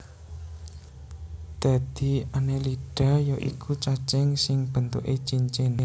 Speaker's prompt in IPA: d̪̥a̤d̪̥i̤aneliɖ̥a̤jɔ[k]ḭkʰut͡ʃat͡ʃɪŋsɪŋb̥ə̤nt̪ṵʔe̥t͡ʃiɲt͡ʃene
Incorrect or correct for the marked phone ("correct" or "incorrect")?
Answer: incorrect